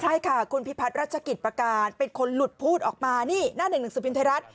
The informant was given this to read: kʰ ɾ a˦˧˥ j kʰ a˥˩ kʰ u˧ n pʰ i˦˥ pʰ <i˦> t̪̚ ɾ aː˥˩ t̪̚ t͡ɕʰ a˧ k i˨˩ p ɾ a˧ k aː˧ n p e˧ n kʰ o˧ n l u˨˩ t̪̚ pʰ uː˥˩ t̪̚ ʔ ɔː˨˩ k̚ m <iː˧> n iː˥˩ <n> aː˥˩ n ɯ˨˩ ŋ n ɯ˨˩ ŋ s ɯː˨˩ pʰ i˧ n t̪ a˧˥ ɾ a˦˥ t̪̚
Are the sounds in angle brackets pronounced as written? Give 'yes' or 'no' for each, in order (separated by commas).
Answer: no, no, yes